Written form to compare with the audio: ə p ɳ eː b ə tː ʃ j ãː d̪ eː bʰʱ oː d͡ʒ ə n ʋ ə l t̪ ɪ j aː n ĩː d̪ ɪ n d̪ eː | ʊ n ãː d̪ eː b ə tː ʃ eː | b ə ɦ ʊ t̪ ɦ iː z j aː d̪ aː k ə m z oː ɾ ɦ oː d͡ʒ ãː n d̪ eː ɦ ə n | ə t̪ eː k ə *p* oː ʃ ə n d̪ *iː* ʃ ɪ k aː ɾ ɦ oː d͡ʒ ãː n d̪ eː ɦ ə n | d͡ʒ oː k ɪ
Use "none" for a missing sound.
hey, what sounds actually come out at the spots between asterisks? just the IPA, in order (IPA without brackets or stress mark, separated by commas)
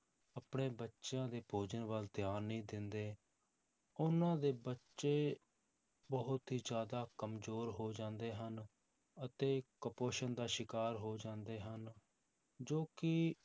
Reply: p, aː